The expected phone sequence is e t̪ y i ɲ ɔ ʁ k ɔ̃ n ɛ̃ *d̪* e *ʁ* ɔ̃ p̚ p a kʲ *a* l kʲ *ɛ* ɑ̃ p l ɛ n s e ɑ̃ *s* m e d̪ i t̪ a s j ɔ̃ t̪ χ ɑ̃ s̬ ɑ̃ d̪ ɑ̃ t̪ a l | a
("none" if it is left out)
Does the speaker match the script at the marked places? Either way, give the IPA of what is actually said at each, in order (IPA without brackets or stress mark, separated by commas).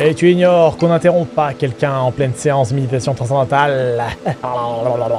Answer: t̪, ʁ, ɛ, ɛ̃, s